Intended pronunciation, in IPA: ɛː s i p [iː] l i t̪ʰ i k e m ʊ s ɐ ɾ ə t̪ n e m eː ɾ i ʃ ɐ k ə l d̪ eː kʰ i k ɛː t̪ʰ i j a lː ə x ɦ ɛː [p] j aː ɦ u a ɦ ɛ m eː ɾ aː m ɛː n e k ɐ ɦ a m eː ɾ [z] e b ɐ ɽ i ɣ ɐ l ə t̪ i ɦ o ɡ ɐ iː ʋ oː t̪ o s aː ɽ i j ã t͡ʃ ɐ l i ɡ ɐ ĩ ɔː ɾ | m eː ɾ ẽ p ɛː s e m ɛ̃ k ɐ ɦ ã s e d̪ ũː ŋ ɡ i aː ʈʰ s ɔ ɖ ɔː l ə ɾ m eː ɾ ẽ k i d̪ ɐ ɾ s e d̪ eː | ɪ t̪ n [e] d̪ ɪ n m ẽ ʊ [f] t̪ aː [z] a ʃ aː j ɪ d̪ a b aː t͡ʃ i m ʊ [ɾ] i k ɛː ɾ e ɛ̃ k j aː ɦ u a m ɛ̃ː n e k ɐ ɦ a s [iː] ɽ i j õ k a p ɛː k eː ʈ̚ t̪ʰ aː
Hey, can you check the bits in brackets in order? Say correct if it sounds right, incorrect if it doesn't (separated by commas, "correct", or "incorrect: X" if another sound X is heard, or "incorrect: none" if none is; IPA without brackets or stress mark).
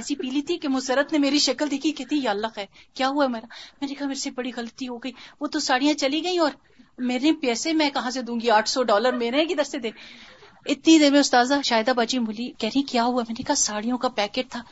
correct, incorrect: k, incorrect: s, incorrect: i, incorrect: s, correct, incorrect: l, incorrect: aː